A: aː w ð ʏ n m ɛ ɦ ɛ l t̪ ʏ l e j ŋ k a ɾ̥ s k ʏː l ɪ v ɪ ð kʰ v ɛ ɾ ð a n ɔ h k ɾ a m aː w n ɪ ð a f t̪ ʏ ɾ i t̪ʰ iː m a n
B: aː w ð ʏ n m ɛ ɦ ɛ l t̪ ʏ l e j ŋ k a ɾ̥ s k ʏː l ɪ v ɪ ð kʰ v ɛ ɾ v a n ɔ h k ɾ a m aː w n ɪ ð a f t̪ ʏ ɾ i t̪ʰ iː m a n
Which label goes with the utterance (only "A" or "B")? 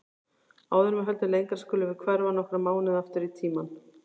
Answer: B